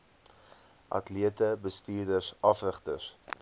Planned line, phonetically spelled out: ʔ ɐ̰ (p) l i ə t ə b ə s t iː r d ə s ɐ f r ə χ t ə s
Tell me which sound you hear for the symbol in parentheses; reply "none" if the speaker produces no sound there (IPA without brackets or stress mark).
t